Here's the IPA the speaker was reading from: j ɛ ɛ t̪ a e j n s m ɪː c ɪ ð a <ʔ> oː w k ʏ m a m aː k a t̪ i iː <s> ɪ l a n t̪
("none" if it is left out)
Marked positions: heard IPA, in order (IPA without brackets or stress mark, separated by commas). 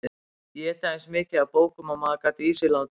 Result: p, s